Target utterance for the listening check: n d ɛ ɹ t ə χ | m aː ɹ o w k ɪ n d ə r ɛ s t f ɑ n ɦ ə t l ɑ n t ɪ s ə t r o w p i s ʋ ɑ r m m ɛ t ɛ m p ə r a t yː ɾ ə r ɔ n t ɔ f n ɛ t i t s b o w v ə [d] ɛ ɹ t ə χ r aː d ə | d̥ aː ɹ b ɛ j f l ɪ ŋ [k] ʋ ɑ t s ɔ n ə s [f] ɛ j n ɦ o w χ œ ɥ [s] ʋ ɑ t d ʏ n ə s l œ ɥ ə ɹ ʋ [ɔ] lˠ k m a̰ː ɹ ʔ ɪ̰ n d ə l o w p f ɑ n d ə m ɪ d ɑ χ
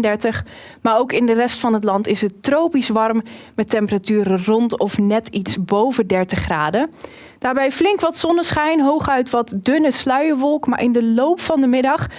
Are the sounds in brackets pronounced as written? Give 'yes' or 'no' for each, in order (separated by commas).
yes, yes, no, no, yes